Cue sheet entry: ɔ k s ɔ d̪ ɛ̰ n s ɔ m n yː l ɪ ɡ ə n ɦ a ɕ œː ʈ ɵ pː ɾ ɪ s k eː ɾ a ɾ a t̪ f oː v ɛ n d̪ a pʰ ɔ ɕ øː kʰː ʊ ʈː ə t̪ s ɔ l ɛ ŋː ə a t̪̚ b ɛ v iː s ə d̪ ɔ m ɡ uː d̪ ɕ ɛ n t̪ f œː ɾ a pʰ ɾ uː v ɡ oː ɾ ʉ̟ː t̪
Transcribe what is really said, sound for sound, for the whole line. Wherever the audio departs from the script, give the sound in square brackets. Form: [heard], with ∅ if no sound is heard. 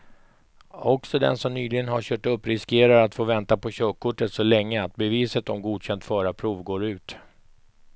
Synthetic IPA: ɔ k s ɔ d̪ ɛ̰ n s ɔ m n yː l ɪ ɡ ə n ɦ a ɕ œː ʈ ɵ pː ɾ ɪ s k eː ɾ a ɾ a t̪ f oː v ɛ n [t̪] a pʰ ɔ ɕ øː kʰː ʊ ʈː ə t̪ s ɔ l ɛ ŋː ə a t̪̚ b ɛ v iː s ə [t̪] ɔ m ɡ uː d̪ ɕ ɛ n t̪ f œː ɾ a pʰ ɾ uː v ɡ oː ɾ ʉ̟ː t̪